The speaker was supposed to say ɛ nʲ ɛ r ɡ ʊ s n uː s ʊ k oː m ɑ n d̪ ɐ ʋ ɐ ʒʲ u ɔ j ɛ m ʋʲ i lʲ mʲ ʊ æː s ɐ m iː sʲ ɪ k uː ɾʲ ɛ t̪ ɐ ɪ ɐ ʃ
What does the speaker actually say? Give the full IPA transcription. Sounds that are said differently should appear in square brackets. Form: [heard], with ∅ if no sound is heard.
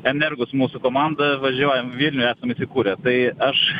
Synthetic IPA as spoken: ɛ nʲ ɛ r ɡ ʊ s [m] uː s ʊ k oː m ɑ n d̪ ɐ ʋ ɐ ʒʲ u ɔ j ɛ m ʋʲ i lʲ [nʲ] ʊ æː s ɐ m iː sʲ ɪ k uː ɾʲ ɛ t̪ ɐ ɪ ɐ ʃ

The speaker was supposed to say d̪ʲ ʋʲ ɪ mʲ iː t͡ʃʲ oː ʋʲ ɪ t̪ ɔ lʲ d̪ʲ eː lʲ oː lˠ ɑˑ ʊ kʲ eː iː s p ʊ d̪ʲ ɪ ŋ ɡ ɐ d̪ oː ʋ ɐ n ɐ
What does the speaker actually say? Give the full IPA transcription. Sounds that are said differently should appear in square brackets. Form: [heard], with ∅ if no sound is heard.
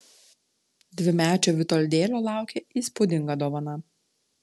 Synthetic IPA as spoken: d̪ʲ ʋʲ ɪ mʲ [æː] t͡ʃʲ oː ʋʲ ɪ t̪ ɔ lʲ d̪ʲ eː lʲ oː lˠ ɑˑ ʊ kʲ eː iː s p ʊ d̪ʲ ɪ ŋ ɡ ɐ d̪ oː ʋ ɐ n ɐ

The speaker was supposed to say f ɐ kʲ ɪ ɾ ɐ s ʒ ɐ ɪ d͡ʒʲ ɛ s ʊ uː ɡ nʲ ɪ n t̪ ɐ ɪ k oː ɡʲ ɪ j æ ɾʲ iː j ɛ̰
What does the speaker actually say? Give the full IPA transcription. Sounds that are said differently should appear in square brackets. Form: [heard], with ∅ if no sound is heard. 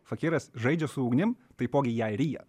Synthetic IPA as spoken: f ɐ kʲ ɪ ɾ ɐ s ʒ ɐ ɪ d͡ʒʲ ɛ s ʊ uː ɡ nʲ ɪ [m] t̪ ɐ ɪ [p] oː ɡʲ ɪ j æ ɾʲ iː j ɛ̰

